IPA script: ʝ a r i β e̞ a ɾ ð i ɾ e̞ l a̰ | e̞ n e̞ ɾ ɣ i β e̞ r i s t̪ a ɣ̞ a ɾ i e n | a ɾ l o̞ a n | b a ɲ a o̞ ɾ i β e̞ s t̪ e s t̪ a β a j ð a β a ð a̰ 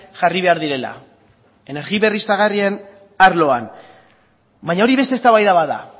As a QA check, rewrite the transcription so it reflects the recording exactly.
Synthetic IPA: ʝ a r i β e̞ a ɾ ð i ɾ e̞ l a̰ | e̞ n e̞ ɾ ɣ i β e̞ r i s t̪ a ɣ̞ a r i e n | a ɾ l o̞ a n | b a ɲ a o̞ ɾ i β e̞ s t̪ e s t̪ a β a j ð a β a ð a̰